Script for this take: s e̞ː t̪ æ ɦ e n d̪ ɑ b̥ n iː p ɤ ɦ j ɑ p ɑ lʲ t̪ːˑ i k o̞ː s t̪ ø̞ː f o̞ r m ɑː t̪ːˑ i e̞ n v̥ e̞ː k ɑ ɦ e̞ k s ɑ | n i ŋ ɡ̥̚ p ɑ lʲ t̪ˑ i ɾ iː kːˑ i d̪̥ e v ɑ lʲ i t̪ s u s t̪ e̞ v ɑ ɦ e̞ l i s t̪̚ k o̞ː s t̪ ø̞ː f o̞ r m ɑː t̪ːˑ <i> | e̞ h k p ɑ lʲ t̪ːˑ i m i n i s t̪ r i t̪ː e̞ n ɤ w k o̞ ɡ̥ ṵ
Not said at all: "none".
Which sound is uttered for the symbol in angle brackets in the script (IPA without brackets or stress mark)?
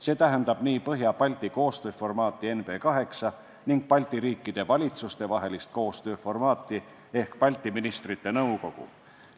i